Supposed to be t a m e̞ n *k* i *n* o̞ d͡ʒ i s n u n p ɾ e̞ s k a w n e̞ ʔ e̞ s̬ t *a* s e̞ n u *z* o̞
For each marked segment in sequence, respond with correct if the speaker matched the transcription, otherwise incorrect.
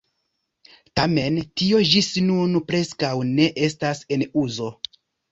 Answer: incorrect: t, incorrect: none, correct, correct

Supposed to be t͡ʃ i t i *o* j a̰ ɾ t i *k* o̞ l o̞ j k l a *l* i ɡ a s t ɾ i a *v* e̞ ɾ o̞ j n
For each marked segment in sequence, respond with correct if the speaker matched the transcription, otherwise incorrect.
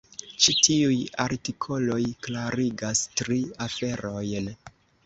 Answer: incorrect: u, incorrect: kʰ, incorrect: ɾ, incorrect: f

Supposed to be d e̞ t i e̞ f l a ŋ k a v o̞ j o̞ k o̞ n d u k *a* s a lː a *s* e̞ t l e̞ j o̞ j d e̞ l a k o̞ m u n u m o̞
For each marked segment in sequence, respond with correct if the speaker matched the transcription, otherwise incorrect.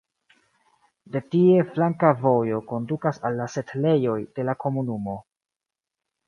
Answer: correct, correct

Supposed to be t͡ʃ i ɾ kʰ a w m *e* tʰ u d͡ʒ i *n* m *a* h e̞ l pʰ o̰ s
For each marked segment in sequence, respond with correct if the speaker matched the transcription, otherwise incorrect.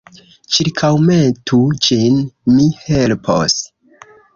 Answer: correct, correct, incorrect: i

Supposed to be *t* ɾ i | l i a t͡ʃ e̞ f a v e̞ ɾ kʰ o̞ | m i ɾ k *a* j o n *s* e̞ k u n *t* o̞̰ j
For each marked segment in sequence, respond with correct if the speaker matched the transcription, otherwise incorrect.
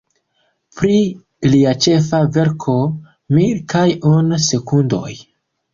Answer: incorrect: p, correct, correct, incorrect: d

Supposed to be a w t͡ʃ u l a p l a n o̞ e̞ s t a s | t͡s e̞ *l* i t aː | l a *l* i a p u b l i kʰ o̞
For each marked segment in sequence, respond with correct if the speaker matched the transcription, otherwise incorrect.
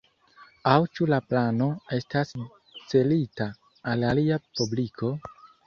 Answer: correct, correct

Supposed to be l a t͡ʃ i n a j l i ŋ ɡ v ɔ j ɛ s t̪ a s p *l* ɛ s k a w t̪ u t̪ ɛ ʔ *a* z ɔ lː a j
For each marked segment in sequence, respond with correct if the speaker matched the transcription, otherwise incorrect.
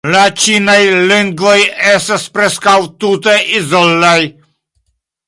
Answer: incorrect: ɾ, incorrect: i

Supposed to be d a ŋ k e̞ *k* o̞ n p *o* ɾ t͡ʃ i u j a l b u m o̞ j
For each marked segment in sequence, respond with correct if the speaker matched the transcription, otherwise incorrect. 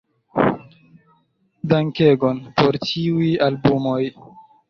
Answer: incorrect: ɡ, correct

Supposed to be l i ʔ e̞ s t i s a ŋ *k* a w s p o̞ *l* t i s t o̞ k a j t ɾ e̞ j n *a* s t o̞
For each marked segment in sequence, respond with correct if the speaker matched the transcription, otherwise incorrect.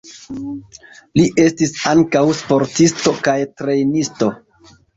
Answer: correct, incorrect: ɾ, incorrect: i

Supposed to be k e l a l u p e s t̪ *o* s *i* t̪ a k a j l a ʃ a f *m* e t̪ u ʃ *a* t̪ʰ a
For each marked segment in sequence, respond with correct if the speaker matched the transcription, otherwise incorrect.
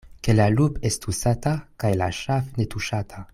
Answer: incorrect: u, incorrect: a, incorrect: n, correct

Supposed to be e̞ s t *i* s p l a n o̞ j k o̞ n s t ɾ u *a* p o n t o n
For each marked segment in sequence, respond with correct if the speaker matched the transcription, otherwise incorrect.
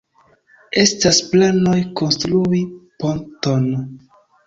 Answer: incorrect: a, incorrect: i

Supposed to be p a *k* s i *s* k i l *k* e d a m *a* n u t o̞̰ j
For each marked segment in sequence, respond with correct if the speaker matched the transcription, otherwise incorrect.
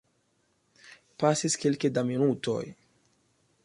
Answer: incorrect: none, correct, correct, incorrect: i

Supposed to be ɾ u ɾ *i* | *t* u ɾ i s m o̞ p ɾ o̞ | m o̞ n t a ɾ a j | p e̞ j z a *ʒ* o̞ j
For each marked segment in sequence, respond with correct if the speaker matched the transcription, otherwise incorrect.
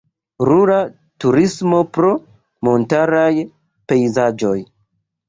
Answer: incorrect: a, correct, incorrect: d͡ʒ

